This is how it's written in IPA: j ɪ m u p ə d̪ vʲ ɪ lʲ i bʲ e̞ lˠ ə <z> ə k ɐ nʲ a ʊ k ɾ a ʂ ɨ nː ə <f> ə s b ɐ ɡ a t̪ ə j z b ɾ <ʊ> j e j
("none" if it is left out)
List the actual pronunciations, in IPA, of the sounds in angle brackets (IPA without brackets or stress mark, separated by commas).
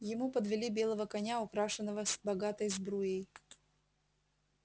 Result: v, v, u